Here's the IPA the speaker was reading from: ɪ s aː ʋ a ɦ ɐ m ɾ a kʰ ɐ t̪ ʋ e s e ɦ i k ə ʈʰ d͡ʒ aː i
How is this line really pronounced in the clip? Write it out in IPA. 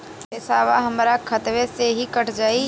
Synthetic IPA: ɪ s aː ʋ a ɦ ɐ m ɾ a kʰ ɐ t̪ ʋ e s e ɦ i k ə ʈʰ d͡ʒ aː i